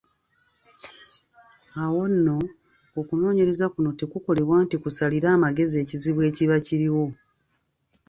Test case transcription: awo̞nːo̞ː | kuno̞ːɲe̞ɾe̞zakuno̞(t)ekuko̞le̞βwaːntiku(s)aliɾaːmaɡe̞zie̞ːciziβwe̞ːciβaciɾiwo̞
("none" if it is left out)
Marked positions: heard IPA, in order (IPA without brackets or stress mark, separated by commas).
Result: t, s